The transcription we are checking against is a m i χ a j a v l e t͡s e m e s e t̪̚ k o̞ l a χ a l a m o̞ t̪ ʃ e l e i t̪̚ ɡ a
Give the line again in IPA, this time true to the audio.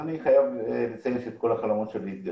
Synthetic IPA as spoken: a n i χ a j a v l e t͡s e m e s e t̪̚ k o̞ l a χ a l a m o̞ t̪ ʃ e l i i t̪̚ ɡ a